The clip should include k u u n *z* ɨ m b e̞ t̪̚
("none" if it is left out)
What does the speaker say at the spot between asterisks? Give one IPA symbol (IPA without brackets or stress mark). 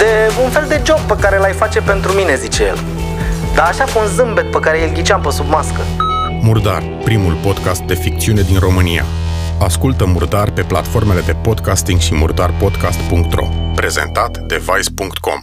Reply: z